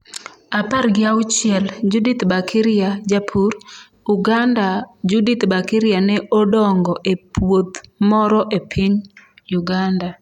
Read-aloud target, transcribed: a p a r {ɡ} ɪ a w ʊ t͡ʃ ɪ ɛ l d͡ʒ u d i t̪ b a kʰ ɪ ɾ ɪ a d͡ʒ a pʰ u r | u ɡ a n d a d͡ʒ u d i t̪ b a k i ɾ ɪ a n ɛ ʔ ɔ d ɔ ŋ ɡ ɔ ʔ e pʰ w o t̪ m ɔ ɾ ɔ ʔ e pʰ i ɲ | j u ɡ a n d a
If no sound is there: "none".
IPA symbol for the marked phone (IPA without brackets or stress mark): ɡ